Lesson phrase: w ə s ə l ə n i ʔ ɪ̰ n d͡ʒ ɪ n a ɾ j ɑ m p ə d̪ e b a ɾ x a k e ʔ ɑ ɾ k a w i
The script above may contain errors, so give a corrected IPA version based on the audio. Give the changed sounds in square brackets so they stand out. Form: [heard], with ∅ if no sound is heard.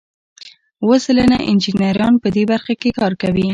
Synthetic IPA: w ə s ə l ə n [a] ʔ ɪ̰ n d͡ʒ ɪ n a ɾ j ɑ [n] p ə d̪ e b a ɾ x a k e [k] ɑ ɾ k a w i